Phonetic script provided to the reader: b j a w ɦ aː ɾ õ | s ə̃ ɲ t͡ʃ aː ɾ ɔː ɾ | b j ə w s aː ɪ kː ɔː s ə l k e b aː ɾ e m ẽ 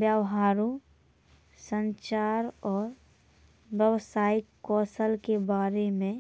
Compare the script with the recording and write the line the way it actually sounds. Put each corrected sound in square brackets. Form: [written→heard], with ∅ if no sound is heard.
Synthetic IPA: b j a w ɦ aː ɾ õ | s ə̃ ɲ t͡ʃ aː ɾ ɔː ɾ | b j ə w s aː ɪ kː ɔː s ə l k e b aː ɾ e m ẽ

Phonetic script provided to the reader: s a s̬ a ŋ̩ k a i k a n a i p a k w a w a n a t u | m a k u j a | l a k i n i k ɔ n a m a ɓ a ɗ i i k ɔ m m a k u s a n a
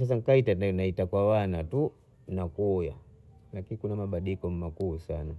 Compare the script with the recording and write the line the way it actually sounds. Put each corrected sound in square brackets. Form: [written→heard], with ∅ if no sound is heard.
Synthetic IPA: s a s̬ a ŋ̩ k a i [k→t] a n a i [p→t] a k w a w a n a t u | [m→n] a k u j a | l a k i n i k [ɔ→u] n a m a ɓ a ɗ i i k ɔ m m a k u s a n a

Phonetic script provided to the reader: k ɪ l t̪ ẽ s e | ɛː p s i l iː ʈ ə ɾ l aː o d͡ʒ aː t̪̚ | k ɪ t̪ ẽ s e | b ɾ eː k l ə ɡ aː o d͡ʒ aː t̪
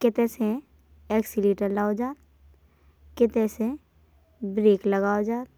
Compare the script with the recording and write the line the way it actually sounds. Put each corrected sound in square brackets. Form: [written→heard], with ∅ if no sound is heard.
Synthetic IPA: k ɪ [l→∅] t̪ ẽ s e | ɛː [p→k] s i l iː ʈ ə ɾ l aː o d͡ʒ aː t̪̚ | k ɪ t̪ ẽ s e | b ɾ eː k l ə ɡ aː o d͡ʒ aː t̪

